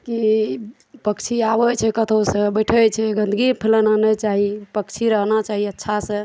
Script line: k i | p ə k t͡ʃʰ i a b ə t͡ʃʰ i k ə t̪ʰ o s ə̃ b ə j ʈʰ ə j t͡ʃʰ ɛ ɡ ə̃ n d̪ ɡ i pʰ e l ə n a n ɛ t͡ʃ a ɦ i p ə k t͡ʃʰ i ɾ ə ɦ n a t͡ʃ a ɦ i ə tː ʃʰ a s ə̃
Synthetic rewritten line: k i | p ə k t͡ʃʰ i a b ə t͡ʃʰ ɛ k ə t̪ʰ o s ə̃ b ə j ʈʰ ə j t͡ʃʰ ɛ ɡ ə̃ n d̪ ɡ i pʰ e l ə n a n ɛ t͡ʃ a ɦ i p ə k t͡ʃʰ i ɾ ə ɦ n a t͡ʃ a ɦ i ə tː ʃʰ a s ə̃